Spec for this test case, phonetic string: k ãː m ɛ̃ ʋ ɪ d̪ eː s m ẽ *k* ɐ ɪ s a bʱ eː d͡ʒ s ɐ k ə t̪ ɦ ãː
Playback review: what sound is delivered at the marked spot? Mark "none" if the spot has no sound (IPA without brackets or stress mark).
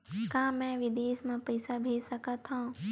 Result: p